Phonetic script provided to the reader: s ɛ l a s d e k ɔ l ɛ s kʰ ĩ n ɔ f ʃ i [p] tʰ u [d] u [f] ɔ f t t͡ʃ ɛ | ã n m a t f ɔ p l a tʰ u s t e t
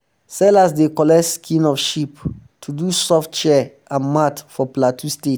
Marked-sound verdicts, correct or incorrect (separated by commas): correct, correct, incorrect